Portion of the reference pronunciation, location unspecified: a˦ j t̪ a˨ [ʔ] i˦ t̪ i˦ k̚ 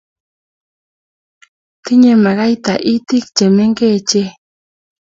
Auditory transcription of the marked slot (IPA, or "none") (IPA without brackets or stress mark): ʔ